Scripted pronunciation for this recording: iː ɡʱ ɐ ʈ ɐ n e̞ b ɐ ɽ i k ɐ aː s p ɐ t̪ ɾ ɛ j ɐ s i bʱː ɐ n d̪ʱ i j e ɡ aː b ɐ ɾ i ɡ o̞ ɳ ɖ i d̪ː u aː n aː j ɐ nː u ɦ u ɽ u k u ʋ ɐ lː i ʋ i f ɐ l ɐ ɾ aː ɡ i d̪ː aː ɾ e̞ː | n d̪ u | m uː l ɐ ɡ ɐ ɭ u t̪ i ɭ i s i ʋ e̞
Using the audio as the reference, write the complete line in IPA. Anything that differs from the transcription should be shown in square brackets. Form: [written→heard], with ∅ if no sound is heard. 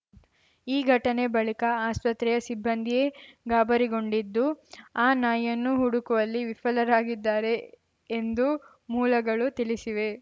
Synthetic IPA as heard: iː ɡʱ ɐ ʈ ɐ n e̞ b ɐ [ɽ→ɭ] i k ɐ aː s p ɐ t̪ ɾ ɛ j ɐ s i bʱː ɐ n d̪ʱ i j e ɡ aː b ɐ ɾ i ɡ o̞ ɳ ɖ i d̪ː u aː n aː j ɐ nː u ɦ u ɽ u k u ʋ ɐ lː i ʋ i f ɐ l ɐ ɾ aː ɡ i d̪ː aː ɾ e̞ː | n d̪ u | m uː l ɐ ɡ ɐ ɭ u t̪ i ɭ i s i ʋ e̞